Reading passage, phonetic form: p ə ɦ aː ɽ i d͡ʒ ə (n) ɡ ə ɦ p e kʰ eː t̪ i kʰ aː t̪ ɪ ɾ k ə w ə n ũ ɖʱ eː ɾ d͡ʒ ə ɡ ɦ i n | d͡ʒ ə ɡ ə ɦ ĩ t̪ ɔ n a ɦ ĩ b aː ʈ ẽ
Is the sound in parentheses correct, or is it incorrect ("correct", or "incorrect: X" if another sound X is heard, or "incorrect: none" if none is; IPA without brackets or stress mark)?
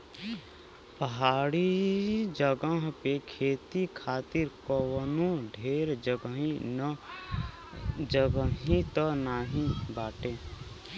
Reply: incorrect: none